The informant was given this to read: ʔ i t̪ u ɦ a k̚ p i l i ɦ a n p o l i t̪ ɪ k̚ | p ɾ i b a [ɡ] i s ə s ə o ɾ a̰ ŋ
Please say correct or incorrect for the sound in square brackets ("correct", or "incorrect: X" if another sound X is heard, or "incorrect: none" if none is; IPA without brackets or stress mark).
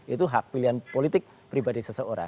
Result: incorrect: d